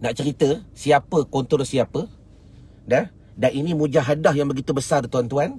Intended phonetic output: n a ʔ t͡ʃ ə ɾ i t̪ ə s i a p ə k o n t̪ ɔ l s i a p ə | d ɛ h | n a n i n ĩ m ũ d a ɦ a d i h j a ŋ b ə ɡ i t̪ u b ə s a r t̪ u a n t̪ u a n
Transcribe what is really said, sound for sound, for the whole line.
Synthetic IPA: n a ʔ t͡ʃ ə ɾ i t̪ ə s i a p ə k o n t̪ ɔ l s i a p ə | d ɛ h | d a n i n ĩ m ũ d͡ʒ a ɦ a d a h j a ŋ b ə ɡ i t̪ u b ə s a r t̪ u a n t̪ u a n